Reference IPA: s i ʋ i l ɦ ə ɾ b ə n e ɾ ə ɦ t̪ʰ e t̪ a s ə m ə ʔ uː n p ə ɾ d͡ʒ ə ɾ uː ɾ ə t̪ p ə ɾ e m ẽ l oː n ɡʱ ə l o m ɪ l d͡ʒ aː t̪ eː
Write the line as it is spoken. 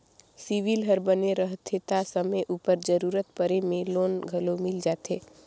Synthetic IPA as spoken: s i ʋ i l ɦ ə ɾ b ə n e ɾ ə ɦ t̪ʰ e t̪ a s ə m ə ʔ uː p ə ɾ d͡ʒ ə ɾ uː ɾ ə t̪ p ə ɾ e m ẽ l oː n ɡʱ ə l o m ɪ l d͡ʒ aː t̪ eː